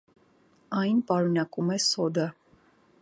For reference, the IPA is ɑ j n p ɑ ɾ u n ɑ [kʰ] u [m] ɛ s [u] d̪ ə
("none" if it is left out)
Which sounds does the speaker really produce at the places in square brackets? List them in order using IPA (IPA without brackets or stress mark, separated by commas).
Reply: k, m, ɔ